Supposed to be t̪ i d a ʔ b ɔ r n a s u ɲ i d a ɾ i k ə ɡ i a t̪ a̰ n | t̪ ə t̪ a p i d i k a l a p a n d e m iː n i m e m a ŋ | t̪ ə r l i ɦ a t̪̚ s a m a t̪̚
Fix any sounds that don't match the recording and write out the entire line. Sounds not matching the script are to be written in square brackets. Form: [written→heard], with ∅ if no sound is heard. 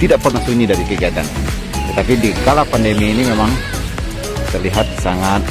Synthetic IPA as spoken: t̪ i d a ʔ [b→p] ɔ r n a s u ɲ i d a ɾ i k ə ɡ i a t̪ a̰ n | t̪ ə t̪ a p i d i k a l a p a n d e m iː n i m e m a ŋ | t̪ ə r l i ɦ a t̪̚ s a [m→ŋ] a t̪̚